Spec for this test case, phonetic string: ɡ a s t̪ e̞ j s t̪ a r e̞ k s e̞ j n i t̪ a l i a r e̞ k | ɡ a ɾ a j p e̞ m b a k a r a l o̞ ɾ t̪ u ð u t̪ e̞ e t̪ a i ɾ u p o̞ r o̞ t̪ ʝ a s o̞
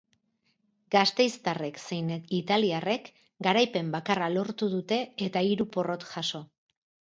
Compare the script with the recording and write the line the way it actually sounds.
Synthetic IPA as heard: ɡ a s t̪ e̞ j s t̪ a r e̞ k s e̞ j n i t̪ a l i a r e̞ k | ɡ a ɾ a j p e̞ m b a k a r a l o̞ ɾ t̪ u ð u t̪ e̞ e t̪ a i ɾ u p o̞ r o̞ t̪ ʝ a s o̞